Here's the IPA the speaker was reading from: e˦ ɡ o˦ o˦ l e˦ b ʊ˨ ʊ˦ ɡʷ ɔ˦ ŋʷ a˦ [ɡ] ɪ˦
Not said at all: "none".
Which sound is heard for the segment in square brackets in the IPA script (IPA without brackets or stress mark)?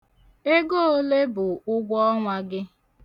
ɡ